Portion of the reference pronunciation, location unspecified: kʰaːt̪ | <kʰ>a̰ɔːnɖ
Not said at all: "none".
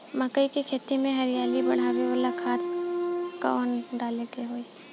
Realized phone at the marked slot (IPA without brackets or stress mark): k